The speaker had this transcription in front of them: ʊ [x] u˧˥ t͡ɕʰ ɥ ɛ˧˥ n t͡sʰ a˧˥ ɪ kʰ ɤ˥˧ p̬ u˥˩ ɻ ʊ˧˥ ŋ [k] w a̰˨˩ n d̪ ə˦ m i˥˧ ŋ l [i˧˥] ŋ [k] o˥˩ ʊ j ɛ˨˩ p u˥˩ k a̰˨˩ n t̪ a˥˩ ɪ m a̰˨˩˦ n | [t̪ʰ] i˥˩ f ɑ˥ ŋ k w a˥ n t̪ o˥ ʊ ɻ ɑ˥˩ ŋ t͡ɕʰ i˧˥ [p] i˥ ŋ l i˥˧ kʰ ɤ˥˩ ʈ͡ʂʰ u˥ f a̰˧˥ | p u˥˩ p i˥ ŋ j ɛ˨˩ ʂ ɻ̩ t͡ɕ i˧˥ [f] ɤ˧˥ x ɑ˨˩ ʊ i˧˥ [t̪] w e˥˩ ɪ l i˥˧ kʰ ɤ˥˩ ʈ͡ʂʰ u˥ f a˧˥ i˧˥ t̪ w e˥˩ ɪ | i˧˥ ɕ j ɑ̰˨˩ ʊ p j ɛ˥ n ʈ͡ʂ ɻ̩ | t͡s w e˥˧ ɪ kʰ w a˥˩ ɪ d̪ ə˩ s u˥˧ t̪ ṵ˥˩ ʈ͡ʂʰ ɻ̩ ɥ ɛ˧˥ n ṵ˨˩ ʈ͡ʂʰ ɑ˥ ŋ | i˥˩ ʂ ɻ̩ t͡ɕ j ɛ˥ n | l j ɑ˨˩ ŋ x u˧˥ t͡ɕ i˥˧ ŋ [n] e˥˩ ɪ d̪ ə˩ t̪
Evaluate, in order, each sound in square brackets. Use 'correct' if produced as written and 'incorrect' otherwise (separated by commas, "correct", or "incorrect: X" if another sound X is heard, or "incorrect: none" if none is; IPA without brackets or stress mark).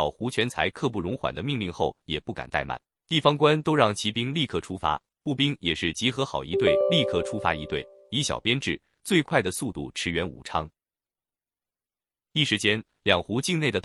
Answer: correct, incorrect: x, incorrect: i˥˧, incorrect: x, incorrect: t̪, correct, incorrect: x, correct, correct